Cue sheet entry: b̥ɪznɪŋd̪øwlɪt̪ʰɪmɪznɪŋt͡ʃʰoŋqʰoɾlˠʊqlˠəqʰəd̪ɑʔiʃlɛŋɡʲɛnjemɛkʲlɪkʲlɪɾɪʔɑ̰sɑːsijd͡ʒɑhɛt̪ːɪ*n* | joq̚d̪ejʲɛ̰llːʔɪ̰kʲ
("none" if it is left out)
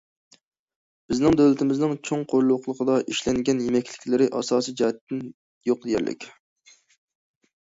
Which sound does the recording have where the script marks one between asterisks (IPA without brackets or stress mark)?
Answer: n